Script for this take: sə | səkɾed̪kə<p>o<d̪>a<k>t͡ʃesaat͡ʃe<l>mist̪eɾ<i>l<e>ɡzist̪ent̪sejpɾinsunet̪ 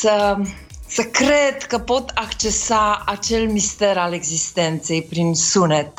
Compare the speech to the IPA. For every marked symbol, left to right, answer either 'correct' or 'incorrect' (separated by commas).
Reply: correct, incorrect, correct, correct, incorrect, correct